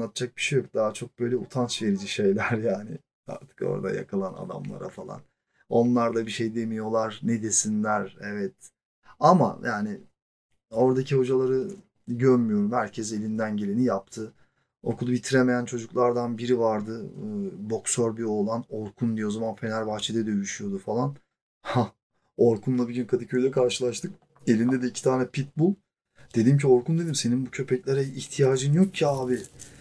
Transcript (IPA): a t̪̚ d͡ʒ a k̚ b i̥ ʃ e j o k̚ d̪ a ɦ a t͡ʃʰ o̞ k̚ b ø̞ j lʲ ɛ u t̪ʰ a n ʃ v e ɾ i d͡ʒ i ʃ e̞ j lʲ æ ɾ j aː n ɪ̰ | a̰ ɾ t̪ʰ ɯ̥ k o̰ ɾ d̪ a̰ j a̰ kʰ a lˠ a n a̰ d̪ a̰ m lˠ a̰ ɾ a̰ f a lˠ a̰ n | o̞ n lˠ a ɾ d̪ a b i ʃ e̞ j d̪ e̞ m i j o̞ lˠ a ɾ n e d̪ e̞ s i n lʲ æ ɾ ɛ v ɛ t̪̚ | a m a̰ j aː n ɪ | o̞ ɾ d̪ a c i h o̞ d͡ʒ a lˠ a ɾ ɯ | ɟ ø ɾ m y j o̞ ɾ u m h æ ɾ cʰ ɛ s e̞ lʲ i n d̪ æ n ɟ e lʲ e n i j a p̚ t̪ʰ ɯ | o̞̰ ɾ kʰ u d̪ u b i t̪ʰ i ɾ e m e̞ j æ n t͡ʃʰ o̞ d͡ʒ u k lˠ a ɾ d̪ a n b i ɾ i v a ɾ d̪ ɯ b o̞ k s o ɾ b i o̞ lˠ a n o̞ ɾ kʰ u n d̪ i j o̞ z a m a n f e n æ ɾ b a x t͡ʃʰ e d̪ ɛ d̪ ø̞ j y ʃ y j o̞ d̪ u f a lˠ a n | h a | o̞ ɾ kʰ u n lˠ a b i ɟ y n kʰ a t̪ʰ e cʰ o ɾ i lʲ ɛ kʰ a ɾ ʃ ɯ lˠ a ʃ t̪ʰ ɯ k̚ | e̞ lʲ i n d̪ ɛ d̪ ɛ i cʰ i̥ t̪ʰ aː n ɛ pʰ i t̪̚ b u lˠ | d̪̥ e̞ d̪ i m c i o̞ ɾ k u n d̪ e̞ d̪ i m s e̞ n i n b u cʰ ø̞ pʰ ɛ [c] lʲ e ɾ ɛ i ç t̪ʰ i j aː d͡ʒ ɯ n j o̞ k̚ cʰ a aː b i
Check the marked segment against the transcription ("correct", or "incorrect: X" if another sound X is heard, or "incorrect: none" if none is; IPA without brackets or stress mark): correct